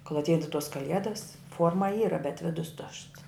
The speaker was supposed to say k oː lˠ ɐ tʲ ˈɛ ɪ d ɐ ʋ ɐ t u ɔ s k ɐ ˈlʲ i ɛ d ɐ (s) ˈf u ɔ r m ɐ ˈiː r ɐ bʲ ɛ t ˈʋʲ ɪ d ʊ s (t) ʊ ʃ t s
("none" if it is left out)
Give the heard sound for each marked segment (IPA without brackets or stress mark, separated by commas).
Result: s, t